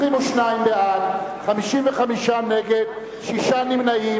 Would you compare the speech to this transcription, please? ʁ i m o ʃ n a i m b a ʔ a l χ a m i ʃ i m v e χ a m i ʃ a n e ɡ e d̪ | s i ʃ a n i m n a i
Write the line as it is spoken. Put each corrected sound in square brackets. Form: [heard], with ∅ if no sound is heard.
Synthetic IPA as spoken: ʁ i m o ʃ n a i m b [e] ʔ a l χ a m i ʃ i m v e χ a m i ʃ a n e ɡ e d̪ | [ʃ] i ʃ a n i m n a i